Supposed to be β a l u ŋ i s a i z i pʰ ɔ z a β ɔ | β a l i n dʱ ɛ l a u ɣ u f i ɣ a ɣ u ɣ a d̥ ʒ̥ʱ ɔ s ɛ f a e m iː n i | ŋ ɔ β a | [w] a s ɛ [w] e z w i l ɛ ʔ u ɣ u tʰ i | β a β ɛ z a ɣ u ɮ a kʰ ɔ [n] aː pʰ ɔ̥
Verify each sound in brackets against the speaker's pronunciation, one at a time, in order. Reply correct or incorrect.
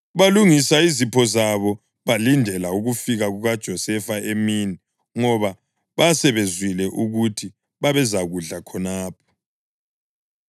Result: incorrect, incorrect, correct

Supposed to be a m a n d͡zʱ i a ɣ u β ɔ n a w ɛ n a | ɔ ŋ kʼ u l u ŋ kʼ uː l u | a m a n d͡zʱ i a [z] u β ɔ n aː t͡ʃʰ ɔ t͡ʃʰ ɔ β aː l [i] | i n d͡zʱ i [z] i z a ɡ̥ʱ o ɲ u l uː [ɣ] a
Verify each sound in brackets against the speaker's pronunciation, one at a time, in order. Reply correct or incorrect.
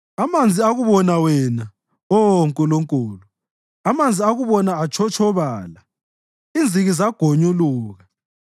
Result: incorrect, incorrect, incorrect, correct

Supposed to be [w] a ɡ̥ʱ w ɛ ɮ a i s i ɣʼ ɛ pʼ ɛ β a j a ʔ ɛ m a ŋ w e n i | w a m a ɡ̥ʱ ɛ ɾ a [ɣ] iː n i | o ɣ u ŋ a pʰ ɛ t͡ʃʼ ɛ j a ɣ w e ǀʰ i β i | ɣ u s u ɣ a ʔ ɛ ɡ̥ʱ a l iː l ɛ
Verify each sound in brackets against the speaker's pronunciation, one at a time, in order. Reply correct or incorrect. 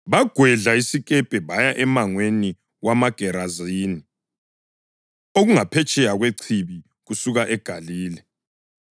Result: incorrect, incorrect

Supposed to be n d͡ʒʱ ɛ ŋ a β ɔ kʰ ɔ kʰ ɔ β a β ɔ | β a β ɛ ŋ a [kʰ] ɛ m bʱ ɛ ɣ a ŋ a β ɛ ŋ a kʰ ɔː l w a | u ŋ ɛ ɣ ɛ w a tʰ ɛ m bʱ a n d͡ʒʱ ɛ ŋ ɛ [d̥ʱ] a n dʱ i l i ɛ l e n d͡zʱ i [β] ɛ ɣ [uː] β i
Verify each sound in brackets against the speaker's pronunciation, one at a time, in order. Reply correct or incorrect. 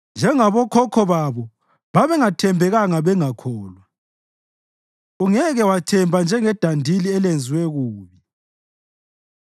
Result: incorrect, correct, incorrect, correct

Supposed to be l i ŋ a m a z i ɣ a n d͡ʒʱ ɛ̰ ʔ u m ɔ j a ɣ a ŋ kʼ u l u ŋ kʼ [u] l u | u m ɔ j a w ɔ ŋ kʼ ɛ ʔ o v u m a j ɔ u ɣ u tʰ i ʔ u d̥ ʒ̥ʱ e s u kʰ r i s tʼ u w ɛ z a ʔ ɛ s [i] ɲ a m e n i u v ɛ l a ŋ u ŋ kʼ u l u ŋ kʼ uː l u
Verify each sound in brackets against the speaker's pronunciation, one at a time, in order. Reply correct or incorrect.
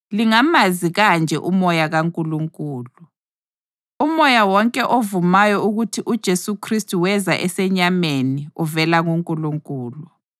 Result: incorrect, incorrect

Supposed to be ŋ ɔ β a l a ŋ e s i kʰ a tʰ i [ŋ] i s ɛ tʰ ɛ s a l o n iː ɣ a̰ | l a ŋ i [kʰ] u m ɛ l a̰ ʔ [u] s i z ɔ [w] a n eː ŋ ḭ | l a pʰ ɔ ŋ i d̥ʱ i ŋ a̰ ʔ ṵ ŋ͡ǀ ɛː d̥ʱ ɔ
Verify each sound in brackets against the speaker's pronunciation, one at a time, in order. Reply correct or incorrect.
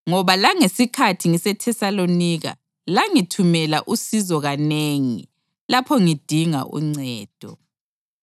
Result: correct, incorrect, correct, incorrect

